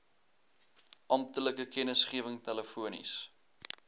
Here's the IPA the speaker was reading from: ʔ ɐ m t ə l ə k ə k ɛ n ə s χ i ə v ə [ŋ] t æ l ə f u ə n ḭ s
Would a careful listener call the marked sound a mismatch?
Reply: no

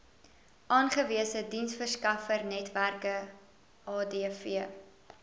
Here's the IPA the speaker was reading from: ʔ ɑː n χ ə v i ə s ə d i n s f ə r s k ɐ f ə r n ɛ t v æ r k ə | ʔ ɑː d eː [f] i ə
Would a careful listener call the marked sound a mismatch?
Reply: no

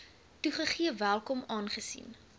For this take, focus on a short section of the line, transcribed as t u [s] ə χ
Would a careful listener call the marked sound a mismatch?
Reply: yes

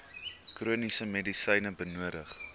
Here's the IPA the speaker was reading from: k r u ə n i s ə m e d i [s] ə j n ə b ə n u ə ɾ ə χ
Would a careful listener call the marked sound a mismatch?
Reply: no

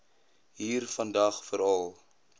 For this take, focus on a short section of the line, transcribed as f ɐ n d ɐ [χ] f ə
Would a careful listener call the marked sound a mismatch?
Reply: no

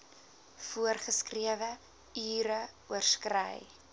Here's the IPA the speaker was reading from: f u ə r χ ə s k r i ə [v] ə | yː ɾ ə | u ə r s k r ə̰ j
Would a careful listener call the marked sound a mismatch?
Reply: no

